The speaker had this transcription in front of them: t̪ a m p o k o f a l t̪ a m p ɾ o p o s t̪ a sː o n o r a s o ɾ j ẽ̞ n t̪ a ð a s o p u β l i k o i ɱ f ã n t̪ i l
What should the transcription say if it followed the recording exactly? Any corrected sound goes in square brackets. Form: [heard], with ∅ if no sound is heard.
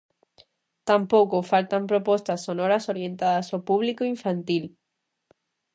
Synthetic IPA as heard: t̪ a m p o k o f a l t̪ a m p ɾ o p o s t̪ a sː o n o [ɾ] a s o ɾ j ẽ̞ n t̪ a ð a s o p u β l i k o i ɱ f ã n t̪ i l